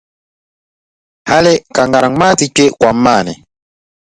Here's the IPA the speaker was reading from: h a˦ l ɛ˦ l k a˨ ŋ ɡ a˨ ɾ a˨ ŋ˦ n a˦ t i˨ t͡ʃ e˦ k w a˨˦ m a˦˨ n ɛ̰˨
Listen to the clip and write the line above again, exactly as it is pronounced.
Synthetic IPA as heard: h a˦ l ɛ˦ k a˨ ŋ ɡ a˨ ɾ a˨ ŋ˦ m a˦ t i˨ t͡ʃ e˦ k w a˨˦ m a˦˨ n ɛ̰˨